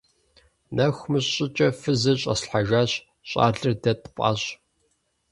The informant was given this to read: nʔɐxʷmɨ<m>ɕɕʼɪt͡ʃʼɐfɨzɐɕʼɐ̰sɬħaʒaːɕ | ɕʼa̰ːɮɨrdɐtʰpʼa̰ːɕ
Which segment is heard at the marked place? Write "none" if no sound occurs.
none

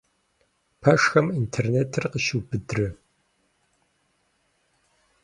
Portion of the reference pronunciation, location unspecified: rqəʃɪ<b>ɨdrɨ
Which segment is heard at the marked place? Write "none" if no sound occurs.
b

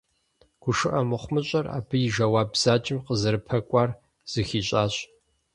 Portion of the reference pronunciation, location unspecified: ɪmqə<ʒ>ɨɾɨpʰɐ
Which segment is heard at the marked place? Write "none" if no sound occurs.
z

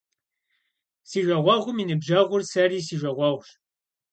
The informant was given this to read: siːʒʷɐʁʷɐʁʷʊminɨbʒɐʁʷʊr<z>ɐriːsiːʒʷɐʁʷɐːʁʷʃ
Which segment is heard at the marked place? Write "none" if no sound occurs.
s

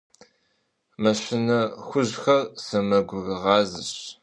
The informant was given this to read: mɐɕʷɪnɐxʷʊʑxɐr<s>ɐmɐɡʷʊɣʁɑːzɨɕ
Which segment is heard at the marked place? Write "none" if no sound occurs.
s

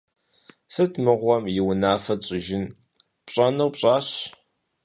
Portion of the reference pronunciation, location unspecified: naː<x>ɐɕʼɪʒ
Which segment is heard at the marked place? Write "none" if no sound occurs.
f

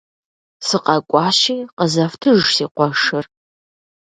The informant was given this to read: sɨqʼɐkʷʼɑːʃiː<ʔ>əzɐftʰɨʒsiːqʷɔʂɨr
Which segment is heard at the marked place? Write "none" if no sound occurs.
q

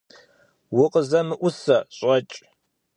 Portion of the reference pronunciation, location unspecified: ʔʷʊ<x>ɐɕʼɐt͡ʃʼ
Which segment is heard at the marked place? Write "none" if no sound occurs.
s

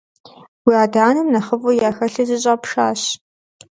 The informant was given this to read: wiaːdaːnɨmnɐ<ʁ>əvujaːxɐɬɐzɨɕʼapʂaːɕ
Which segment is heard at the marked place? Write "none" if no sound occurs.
χ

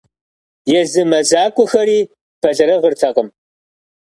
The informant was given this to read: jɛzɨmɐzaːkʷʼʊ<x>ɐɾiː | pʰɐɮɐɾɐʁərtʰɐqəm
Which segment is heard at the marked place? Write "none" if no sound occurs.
x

